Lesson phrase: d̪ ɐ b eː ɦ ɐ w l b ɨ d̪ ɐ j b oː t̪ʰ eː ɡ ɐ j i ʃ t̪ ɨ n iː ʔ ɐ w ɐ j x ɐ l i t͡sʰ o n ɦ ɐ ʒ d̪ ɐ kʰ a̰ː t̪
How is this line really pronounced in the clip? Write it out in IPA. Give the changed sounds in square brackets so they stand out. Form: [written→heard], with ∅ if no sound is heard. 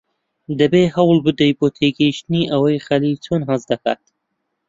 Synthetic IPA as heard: d̪ ɐ b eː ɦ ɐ w l b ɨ d̪ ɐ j b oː t̪ʰ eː ɡ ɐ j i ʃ t̪ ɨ n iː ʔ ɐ w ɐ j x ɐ l i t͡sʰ o n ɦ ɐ [ʒ→z] d̪ ɐ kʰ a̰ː t̪